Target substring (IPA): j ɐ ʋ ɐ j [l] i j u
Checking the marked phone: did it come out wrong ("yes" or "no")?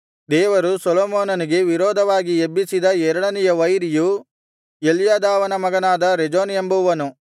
yes